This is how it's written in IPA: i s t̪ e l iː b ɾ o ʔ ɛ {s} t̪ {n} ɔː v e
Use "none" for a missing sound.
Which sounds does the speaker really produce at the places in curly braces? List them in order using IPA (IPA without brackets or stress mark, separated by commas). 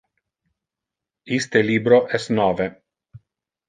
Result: s, n